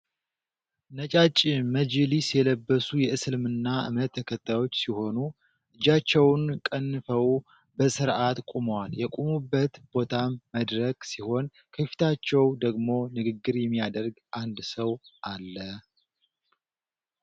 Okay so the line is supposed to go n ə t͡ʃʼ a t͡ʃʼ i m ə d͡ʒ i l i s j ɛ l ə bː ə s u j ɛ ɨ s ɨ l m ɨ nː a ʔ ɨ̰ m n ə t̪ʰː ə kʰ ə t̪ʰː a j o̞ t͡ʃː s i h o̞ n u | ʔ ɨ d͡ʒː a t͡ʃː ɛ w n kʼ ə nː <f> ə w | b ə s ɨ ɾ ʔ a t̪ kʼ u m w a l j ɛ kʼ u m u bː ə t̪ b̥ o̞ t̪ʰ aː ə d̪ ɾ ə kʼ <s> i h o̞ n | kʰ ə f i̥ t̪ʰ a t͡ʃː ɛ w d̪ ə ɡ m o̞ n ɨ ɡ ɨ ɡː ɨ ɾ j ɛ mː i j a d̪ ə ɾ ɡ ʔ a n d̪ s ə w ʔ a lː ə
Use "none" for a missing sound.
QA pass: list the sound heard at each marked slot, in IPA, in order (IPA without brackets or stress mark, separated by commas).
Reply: f, s